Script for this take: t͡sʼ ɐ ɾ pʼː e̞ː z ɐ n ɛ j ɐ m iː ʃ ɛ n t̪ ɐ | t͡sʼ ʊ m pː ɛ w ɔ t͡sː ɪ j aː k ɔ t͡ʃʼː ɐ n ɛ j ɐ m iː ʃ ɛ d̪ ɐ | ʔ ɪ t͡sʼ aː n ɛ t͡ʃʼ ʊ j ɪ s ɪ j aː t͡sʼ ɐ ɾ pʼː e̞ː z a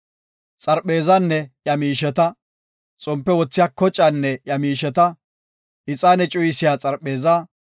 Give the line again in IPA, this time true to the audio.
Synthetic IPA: t͡sʼ ɐ ɾ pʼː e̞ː z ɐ nː ɛ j ɐ m iː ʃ ɛ t̪ ɐ | t͡sʼ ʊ m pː ɛ w ɔ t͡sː ɪ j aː k ɔ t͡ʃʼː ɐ nː ɛ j ɐ m iː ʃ ɛ t̪ ɐ | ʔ ɪ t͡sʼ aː n ɛ t͡ʃʼ ʊ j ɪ s ɪ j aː t͡sʼ ɐ ɾ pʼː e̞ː z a